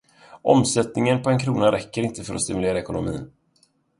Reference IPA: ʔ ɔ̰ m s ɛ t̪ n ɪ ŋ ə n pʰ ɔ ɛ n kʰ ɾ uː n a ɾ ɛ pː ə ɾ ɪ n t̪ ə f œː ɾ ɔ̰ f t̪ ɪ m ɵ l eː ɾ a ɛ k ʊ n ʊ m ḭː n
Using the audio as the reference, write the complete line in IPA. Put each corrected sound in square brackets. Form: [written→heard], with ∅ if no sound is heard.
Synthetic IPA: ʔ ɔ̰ m s ɛ t̪ n ɪ ŋ ə n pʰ ɔ ɛ n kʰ ɾ uː n a ɾ ɛ [pː→kː] ə ɾ ɪ n t̪ ə f [œː→œ] ɾ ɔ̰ [f→s] t̪ ɪ m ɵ l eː ɾ a ɛ k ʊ n ʊ m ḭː n